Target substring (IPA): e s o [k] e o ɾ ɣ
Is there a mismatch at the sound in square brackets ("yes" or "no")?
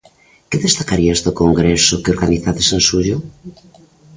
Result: no